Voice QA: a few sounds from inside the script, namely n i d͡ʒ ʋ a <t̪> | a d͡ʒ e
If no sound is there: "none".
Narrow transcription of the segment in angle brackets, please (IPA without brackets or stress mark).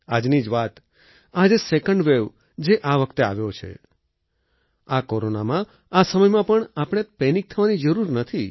t̪